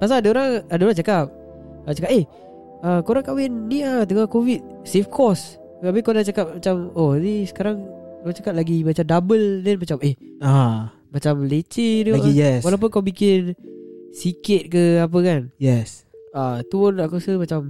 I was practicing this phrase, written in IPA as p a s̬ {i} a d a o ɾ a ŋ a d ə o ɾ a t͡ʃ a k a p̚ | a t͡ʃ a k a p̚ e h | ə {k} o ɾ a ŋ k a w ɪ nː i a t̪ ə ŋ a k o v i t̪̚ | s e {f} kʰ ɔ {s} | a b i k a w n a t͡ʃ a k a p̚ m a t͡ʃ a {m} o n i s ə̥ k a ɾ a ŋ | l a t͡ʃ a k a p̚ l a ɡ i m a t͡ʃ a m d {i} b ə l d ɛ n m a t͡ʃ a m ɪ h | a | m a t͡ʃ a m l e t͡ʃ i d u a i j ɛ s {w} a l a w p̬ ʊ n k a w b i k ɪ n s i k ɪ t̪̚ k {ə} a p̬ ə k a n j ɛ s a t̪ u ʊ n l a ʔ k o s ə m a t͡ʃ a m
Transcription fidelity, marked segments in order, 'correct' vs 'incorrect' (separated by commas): incorrect, correct, correct, correct, correct, incorrect, correct, correct